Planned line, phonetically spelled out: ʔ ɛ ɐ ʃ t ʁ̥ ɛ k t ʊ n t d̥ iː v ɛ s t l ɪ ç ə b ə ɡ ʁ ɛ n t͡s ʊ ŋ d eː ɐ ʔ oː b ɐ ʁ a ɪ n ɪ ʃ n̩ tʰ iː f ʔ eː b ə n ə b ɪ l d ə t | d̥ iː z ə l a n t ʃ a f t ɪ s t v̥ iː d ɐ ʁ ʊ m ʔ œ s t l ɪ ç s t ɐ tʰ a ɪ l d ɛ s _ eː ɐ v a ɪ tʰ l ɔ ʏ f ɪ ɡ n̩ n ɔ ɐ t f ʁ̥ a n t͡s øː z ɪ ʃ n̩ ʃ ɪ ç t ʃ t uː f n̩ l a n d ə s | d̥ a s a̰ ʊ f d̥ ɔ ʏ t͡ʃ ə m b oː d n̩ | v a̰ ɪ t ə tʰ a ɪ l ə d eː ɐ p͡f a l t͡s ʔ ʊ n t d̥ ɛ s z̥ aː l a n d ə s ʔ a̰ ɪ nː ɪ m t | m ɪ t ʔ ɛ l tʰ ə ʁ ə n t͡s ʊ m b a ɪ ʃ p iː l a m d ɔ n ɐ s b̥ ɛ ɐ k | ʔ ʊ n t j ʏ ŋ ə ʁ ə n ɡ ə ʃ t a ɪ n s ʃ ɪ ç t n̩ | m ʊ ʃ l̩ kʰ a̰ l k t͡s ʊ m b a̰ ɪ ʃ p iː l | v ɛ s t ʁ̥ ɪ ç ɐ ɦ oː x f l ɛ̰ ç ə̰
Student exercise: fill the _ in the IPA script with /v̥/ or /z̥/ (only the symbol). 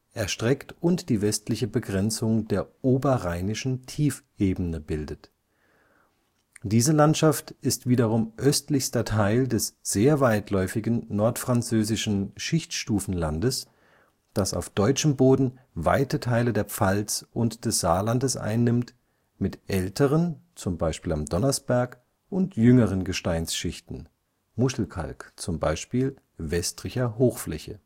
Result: z̥